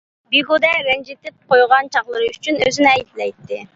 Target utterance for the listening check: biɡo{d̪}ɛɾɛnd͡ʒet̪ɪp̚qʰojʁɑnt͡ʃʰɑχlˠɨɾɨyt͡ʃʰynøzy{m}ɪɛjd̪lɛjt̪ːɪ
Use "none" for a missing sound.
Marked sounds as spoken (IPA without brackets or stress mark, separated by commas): d̪, n